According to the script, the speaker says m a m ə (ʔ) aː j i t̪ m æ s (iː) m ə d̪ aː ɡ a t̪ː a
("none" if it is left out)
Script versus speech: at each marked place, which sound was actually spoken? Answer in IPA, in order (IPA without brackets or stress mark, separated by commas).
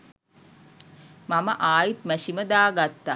ʔ, i